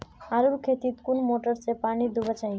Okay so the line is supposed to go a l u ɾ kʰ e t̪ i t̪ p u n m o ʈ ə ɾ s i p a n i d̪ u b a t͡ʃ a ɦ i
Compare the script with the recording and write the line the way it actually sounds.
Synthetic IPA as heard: a ɾ u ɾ kʰ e t̪ i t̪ k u n m o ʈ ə ɾ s e p a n i d̪ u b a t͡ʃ a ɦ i